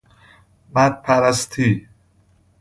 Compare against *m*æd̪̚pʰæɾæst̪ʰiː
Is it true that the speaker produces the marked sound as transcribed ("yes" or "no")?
yes